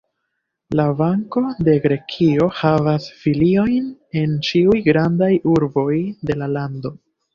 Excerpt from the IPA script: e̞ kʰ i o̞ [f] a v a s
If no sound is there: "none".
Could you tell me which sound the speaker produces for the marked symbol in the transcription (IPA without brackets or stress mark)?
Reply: h